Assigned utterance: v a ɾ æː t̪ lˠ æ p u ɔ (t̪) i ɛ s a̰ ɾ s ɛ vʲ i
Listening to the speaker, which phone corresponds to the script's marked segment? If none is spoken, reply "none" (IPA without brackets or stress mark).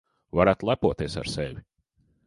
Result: t̪